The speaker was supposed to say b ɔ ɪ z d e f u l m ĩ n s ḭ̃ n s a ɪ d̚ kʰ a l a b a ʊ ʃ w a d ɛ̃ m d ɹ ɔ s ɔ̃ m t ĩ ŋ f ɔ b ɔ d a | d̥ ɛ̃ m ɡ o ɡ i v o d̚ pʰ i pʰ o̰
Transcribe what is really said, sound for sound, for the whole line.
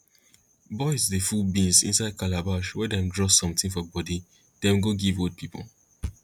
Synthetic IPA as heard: b ɔ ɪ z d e f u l b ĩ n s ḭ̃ n s a ɪ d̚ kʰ a l a b a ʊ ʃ w ɛ d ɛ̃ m d ɹ ɔ s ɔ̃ m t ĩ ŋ f ɔ b ɔ d i | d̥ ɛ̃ m ɡ o ɡ i v o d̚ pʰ i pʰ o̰